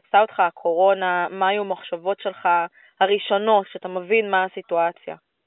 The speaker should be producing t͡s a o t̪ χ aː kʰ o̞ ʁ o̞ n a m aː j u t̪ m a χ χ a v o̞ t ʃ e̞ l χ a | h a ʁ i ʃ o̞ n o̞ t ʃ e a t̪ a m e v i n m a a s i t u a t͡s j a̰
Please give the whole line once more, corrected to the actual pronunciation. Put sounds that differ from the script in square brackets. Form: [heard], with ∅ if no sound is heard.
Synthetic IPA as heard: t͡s a o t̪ χ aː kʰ o̞ ʁ o̞ n a m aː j u [∅] m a χ [ʃ] a v o̞ t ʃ e̞ l χ a | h a ʁ i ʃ o̞ n o̞ t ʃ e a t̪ a m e v i n m a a s i t u a t͡s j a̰